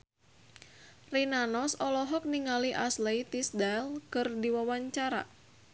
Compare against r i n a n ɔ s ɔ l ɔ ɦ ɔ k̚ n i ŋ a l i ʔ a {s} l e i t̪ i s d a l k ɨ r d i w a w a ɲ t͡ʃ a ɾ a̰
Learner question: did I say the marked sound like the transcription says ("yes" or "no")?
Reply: yes